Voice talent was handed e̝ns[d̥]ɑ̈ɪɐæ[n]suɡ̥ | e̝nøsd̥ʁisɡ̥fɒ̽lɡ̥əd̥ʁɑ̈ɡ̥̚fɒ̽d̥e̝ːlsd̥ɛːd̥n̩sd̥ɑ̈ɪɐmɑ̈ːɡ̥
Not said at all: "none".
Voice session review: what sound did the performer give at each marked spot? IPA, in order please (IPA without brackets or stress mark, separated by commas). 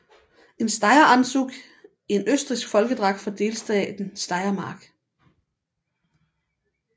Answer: d̥, n